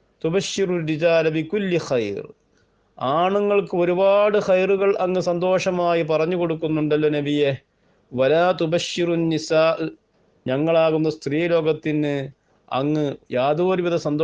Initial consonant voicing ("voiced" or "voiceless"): voiceless